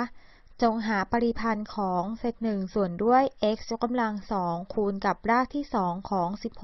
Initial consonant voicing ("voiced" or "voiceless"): voiceless